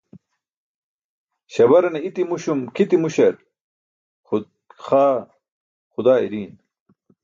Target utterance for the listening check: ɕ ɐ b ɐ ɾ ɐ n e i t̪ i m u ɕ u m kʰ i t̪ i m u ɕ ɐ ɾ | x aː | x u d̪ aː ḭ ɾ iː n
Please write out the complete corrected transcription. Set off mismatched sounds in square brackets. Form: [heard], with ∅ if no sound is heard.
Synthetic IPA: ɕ ɐ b ɐ ɾ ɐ n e i t̪ i m u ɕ u m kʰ i t̪ i m u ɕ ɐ ɾ | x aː | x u d̪ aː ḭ ɾ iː n